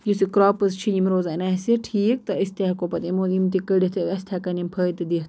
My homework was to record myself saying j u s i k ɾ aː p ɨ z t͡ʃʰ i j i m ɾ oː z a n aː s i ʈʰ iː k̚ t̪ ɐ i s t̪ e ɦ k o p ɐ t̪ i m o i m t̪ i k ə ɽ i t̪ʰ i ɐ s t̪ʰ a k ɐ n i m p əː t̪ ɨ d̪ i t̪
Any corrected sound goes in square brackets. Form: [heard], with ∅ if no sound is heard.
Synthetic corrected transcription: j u s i k ɾ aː p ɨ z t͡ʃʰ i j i m ɾ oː z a n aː s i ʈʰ iː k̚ t̪ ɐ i s t̪ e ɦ k o p ɐ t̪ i m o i m t̪ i k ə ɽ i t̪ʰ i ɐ s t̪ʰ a k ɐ n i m [pʰ] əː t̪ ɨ d̪ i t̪